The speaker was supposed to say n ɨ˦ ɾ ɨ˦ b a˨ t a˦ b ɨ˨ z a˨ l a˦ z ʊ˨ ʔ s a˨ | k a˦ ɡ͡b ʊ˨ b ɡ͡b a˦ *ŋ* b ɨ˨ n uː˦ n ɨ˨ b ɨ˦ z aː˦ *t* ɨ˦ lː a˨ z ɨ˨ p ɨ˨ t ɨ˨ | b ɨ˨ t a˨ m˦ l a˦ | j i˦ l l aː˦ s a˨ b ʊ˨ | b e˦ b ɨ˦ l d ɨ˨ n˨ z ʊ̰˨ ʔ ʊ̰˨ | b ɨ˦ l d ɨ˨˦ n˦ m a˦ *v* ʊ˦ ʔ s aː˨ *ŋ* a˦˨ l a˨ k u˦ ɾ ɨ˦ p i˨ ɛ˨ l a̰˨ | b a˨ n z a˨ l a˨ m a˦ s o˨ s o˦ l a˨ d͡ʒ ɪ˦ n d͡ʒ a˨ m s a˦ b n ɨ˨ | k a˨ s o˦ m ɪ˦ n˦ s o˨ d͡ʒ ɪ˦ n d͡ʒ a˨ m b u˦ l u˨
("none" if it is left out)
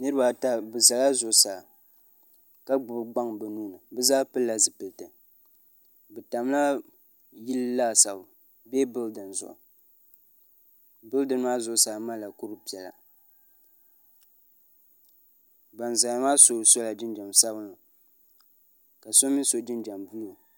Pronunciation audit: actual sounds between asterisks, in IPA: ŋ, p, z, m

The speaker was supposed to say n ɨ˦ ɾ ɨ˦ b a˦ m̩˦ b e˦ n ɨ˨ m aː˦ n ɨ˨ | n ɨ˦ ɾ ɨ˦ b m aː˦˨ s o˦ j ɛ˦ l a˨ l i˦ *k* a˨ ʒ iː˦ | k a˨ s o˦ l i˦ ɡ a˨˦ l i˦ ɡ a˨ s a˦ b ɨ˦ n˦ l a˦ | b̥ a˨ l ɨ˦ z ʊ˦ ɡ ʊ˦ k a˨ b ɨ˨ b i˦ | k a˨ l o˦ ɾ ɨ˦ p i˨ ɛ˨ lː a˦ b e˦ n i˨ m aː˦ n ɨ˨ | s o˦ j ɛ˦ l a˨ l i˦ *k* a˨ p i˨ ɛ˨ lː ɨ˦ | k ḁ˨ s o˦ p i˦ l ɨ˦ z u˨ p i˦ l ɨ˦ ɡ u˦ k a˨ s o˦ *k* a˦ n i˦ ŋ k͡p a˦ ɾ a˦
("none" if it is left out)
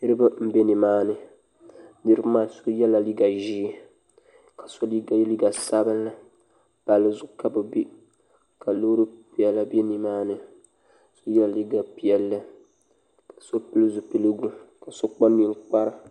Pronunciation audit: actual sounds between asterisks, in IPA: ɡ, ɡ, k͡p

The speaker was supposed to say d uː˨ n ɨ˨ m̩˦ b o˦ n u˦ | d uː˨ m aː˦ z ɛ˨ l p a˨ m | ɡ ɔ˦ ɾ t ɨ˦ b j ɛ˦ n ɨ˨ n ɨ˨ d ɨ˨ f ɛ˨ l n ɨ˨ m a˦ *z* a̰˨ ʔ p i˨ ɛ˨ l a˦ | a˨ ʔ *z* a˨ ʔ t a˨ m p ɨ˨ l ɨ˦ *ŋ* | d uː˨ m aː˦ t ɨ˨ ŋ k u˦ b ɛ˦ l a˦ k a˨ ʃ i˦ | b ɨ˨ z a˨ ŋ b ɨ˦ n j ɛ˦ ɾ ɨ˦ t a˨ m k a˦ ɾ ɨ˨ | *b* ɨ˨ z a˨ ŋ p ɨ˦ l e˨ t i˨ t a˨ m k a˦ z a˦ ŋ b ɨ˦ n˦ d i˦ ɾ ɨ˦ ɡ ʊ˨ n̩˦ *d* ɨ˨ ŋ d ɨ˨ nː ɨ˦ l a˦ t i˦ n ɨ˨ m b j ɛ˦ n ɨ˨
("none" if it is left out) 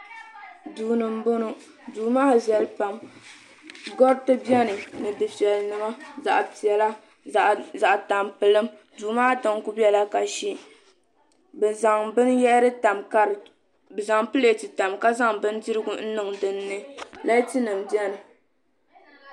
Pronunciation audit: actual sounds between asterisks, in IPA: z, z, m, b, n

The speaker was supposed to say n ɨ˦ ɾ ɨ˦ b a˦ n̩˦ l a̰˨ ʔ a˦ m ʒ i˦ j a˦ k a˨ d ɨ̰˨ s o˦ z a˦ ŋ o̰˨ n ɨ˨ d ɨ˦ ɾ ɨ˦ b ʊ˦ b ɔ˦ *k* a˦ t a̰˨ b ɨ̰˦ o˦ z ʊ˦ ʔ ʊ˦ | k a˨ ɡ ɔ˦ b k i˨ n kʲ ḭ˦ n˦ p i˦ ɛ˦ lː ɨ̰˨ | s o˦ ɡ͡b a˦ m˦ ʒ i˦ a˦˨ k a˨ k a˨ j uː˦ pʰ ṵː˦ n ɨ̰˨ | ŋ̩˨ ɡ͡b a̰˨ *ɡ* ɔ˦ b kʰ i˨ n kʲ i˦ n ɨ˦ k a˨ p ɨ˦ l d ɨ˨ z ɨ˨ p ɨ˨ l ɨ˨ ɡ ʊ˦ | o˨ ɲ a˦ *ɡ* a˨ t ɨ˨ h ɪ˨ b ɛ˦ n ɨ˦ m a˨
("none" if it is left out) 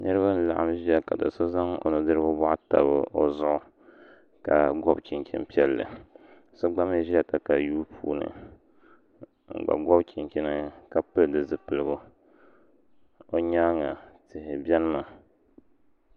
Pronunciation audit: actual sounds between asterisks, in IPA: ʔ, ɡ, ŋ

